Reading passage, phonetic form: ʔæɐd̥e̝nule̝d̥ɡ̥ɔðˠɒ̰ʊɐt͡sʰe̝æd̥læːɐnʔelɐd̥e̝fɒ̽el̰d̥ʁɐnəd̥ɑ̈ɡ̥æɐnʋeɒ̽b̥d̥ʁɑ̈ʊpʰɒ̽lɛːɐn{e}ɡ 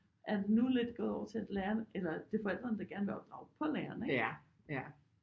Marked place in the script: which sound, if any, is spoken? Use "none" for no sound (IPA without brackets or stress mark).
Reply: e